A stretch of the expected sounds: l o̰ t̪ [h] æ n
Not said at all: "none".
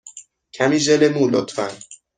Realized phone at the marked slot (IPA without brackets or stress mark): f